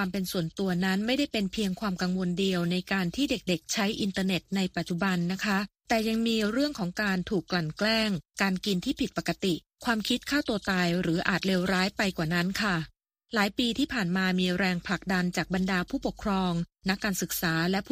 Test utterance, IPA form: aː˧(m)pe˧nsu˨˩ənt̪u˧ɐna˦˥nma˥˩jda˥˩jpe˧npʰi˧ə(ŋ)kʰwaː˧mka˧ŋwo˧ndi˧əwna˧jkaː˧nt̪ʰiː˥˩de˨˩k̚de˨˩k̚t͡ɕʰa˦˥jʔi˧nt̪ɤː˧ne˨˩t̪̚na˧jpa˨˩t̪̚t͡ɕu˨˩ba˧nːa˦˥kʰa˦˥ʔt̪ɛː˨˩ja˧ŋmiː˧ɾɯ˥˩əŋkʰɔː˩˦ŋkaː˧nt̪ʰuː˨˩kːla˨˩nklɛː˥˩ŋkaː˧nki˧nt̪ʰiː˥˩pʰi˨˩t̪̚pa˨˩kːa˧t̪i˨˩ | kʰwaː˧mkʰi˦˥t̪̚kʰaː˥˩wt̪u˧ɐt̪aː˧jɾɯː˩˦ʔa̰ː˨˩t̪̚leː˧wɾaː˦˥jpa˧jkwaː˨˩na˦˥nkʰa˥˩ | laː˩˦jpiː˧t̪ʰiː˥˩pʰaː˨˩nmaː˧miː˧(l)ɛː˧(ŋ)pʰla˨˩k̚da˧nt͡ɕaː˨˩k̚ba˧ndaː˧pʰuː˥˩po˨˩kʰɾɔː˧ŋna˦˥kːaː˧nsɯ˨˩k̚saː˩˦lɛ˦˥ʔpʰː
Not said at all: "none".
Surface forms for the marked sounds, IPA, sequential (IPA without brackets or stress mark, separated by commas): m, ŋ, ɾ, ŋ